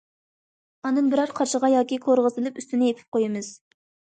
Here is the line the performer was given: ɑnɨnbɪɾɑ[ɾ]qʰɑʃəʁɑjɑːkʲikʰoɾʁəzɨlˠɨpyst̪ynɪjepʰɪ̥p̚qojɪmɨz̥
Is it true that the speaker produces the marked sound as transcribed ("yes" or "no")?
yes